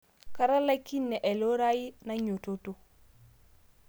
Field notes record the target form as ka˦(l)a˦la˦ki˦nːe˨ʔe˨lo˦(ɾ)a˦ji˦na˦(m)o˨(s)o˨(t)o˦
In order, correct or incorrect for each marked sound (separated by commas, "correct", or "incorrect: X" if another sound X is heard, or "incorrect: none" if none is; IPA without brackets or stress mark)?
incorrect: ɾ, correct, incorrect: ɲ, incorrect: t, correct